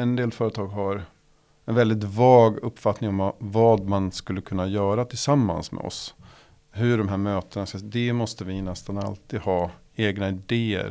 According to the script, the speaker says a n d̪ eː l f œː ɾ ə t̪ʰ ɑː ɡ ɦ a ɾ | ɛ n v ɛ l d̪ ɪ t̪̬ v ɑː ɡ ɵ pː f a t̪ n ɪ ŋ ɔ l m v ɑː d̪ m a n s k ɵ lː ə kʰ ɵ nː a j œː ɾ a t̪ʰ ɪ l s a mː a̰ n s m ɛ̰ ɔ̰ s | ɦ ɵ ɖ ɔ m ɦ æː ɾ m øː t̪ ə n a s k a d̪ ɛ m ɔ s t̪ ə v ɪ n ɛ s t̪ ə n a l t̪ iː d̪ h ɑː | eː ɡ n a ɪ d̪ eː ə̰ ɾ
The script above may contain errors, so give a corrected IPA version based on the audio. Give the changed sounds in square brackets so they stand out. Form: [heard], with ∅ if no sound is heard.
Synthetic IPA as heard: [ɛ] n d̪ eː l f œː ɾ ə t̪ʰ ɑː ɡ ɦ a ɾ | ɛ n v ɛ l d̪ ɪ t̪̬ v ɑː ɡ ɵ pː f a t̪ n ɪ ŋ ɔ [∅] m v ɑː d̪ m a n s k ɵ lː ə kʰ ɵ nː a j œː ɾ a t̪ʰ ɪ l s a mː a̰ n s m ɛ̰ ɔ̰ s | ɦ ɵ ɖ ɔ m ɦ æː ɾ m øː t̪ ə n a s k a d̪ ɛ m ɔ s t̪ ə v ɪ n ɛ s t̪ [a] n a l t̪ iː d̪ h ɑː | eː ɡ n a ɪ d̪ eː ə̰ ɾ